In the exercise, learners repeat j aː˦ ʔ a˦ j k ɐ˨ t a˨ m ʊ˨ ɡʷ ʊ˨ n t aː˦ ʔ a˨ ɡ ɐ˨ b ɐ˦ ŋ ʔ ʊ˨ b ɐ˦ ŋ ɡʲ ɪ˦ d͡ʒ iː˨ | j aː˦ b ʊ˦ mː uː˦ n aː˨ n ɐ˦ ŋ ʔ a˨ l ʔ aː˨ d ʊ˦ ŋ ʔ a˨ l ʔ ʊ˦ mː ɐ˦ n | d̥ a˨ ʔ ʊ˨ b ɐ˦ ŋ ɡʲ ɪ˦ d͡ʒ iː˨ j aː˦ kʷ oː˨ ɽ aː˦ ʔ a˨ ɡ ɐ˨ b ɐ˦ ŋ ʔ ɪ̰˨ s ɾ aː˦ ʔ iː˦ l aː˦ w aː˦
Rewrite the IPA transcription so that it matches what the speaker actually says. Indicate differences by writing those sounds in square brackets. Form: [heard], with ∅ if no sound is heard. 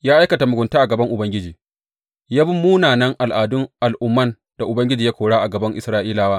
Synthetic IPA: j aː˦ ʔ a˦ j k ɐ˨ t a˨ m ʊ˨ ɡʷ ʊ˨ n t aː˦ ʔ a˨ ɡ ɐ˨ b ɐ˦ ŋ ʔ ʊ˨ b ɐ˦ ŋ ɡʲ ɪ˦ d͡ʒ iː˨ | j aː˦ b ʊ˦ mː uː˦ n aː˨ n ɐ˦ ŋ ʔ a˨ l ʔ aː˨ d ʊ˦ ŋ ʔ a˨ l ʔ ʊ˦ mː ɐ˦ n | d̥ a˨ ʔ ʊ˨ b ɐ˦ ŋ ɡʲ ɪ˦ d͡ʒ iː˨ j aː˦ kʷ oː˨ ɽ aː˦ ʔ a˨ ɡ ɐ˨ b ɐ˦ ŋ ʔ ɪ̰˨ s ɾ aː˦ ʔ iː˦ l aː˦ w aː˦